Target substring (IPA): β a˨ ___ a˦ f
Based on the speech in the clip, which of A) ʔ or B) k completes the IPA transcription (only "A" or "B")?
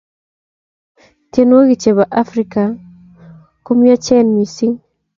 A